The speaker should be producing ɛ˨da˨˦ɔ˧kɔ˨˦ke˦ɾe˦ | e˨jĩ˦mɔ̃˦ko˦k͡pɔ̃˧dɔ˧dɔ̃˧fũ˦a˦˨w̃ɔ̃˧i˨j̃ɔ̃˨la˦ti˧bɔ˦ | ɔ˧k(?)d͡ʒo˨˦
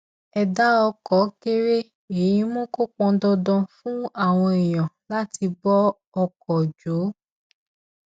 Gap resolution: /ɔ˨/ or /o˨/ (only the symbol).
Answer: ɔ˨